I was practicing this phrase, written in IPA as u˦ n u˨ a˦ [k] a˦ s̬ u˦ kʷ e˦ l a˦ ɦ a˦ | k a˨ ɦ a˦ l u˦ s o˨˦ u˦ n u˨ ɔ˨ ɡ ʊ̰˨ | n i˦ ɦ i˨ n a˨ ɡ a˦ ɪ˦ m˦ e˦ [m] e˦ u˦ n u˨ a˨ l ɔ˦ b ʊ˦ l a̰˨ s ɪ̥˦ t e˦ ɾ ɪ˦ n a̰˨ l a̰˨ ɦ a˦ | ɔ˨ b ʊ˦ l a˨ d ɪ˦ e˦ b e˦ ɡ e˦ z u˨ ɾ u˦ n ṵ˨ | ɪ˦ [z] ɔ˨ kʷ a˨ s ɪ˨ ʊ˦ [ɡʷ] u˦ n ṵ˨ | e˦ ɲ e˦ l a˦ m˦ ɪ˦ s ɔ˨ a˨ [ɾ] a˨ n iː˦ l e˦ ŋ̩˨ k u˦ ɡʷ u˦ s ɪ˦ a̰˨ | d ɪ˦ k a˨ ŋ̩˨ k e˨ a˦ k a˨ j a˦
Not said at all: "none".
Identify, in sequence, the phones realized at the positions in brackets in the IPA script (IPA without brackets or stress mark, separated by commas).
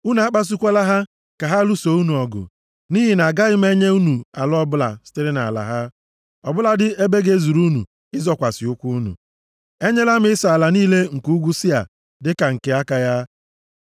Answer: k͡p, ɲ, z, kʷ, l